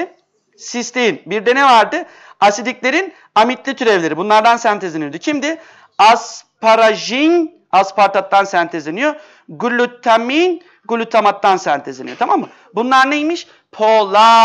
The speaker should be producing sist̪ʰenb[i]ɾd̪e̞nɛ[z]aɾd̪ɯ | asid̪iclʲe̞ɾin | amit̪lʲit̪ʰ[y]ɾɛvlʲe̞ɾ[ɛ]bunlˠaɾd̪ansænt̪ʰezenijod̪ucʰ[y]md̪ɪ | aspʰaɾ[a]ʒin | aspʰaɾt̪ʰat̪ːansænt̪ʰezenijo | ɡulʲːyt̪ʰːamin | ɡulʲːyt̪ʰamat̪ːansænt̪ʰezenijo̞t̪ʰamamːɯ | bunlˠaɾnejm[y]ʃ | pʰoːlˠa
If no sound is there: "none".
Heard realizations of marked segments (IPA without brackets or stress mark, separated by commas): i, v, y, i, i, a, i